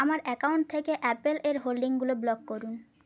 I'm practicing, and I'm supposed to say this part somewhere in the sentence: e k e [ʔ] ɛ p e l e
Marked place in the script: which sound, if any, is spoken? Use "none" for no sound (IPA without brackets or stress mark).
ʔ